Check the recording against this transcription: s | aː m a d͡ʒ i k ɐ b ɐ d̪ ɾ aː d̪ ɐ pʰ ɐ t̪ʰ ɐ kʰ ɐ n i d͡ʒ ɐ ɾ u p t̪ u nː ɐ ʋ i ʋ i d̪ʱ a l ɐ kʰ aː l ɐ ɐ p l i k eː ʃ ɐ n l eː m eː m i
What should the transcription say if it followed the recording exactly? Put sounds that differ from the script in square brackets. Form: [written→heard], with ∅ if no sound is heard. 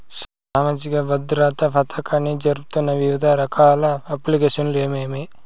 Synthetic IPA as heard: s | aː m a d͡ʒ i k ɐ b ɐ d̪ ɾ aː [d̪→t̪] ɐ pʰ ɐ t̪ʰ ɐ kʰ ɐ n i d͡ʒ ɐ ɾ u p t̪ u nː ɐ ʋ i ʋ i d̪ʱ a [l→ɾ] ɐ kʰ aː l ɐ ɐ p l i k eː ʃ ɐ n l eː m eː m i

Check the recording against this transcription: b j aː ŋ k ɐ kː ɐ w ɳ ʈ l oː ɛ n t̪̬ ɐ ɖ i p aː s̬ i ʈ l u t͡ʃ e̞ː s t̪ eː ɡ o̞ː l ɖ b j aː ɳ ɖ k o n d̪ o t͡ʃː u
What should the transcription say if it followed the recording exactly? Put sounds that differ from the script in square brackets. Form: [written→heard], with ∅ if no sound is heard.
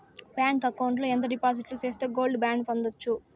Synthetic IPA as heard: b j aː ŋ k ɐ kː ɐ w ɳ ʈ l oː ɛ n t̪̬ ɐ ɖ i p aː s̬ i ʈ l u t͡ʃ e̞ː s t̪ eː ɡ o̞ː l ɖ b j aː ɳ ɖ [k→p] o n d̪ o t͡ʃː u

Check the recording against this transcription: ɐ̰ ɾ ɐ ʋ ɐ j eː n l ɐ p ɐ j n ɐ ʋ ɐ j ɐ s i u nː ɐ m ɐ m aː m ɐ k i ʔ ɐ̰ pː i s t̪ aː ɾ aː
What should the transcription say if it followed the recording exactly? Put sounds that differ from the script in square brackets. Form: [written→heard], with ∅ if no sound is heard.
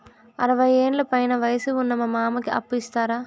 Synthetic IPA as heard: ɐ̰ ɾ ɐ ʋ ɐ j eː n l ɐ p ɐ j n ɐ ʋ ɐ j ɐ s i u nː ɐ m ɐ m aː m ɐ k i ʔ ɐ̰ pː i s t̪ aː ɾ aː

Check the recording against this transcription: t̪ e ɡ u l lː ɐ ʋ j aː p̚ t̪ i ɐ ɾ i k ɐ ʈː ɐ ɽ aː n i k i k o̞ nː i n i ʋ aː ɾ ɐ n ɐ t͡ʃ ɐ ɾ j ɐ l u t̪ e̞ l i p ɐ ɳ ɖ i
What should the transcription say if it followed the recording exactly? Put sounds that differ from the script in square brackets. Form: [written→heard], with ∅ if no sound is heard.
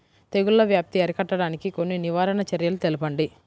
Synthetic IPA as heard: t̪ e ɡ u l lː ɐ ʋ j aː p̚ t̪ i ɐ ɾ i k ɐ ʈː ɐ ɽ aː n i k i k o̞ nː i n i ʋ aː ɾ ɐ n ɐ t͡ʃ ɐ ɾ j ɐ l u t̪ e̞ l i p ɐ ɳ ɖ i

